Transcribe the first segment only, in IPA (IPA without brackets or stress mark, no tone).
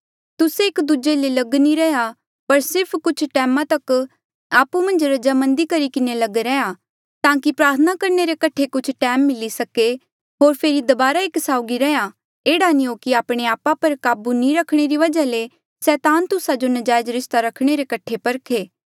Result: t̪